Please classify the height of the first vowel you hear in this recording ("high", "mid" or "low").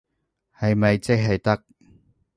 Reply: low